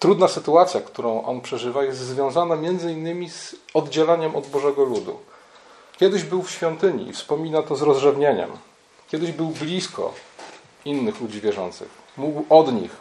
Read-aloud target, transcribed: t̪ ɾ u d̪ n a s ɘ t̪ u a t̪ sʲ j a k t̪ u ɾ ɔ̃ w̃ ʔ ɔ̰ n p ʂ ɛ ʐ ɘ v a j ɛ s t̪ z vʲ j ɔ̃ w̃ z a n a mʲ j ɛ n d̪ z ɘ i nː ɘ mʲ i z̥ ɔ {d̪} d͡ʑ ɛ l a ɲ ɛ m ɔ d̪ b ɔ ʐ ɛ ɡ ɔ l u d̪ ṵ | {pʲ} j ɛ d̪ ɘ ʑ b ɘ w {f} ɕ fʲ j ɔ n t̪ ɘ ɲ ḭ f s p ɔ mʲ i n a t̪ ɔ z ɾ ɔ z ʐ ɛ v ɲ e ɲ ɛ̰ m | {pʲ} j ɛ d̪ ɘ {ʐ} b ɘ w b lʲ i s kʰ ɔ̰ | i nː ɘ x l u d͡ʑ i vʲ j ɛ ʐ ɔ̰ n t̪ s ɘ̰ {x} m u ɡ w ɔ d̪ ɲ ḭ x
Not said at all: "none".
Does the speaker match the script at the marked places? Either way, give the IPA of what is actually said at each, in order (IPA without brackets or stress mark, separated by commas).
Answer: d̪, kʲ, f, kʲ, ʑ, x